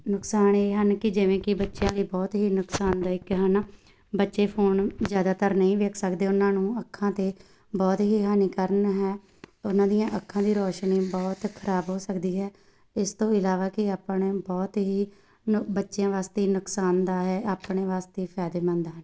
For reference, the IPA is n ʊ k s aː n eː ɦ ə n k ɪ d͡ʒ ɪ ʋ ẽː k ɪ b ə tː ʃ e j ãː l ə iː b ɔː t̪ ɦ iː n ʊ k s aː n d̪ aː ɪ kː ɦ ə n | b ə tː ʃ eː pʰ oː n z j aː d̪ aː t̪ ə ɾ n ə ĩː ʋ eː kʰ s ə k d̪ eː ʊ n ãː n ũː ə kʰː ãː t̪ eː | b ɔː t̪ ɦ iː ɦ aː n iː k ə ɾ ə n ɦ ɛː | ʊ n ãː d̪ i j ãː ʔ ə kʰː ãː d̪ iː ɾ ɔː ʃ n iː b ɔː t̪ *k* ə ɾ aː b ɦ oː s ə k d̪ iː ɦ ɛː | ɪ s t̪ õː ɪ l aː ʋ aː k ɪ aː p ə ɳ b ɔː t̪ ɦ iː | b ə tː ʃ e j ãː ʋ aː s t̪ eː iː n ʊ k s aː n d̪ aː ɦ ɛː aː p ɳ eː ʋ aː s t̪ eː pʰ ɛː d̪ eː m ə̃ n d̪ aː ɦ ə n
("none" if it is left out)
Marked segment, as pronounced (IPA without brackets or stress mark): kʰ